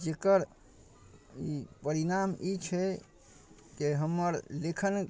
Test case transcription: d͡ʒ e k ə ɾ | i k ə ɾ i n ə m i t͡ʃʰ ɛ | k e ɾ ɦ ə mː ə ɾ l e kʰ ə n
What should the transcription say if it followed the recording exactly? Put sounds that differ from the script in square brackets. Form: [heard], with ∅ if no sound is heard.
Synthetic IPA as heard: d͡ʒ e k ə ɾ | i [p] ə ɾ i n [a] m i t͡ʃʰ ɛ | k e [∅] ɦ ə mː ə ɾ l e kʰ ə n